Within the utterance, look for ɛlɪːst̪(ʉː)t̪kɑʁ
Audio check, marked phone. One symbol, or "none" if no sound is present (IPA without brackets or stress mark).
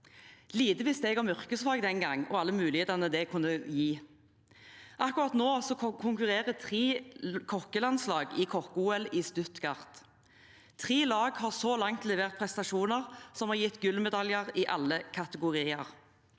ʉ